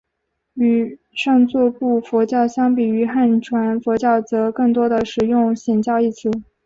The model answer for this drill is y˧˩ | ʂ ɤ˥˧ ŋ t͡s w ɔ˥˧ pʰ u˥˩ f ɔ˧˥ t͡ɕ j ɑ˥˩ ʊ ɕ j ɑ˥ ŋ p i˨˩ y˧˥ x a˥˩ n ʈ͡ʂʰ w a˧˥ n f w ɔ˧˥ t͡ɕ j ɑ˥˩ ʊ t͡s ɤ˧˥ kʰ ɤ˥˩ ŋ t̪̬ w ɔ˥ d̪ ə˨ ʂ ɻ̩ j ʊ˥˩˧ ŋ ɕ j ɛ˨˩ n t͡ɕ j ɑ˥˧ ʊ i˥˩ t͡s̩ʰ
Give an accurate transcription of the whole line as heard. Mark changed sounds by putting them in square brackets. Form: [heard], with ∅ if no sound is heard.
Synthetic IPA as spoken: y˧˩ | ʂ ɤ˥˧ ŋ t͡s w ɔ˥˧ [p] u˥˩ f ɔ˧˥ t͡ɕ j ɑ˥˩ ʊ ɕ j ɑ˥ ŋ p i˨˩ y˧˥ x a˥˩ n ʈ͡ʂʰ w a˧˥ n f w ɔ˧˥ t͡ɕ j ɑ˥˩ ʊ t͡s ɤ˧˥ [k] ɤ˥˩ ŋ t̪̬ w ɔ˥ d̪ ə˨ ʂ ɻ̩ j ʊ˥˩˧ ŋ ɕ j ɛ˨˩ n t͡ɕ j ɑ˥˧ ʊ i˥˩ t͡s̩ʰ